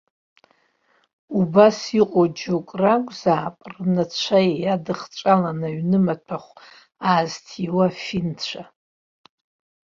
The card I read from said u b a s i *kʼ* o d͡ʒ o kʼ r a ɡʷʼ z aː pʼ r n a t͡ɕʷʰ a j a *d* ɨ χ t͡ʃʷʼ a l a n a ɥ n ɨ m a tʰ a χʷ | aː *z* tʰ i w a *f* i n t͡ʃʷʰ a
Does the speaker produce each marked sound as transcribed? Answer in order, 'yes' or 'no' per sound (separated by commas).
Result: no, yes, yes, yes